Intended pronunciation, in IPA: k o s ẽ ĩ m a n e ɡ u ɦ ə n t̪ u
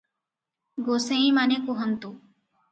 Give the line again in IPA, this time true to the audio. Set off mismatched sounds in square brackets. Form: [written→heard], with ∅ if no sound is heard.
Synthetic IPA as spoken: [k→ɡ] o s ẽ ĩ m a n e [ɡ→k] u ɦ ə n t̪ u